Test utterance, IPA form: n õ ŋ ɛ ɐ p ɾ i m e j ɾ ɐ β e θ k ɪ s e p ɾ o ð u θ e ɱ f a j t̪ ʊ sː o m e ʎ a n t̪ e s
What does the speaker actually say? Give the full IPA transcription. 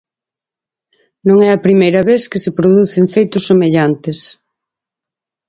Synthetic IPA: n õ ŋ ɛ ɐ p ɾ i m e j ɾ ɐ β e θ k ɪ s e p ɾ o ð u θ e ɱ f e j t̪ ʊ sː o m e ʎ a n t̪ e s